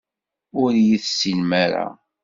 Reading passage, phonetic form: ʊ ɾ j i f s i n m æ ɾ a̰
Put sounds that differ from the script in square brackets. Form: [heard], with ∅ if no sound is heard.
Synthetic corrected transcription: ʊ ɾ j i [θ] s i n m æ ɾ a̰